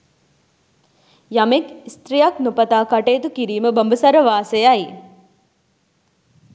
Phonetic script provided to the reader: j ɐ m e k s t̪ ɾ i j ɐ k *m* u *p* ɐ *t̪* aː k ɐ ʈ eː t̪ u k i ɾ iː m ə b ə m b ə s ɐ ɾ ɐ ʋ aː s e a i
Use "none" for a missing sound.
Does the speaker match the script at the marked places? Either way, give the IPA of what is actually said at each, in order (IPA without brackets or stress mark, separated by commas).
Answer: n, p, t̪